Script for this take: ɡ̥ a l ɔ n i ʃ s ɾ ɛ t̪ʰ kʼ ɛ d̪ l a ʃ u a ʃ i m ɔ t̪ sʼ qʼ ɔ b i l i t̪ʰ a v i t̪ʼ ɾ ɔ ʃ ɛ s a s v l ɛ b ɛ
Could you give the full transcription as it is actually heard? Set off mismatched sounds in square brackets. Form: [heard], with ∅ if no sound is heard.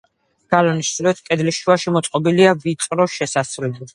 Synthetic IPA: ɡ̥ a l ɔ n i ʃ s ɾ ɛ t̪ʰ kʼ ɛ d̪ l [i] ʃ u a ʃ i m ɔ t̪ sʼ qʼ ɔ b i l i [∅] a v i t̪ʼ ɾ ɔ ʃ ɛ s a s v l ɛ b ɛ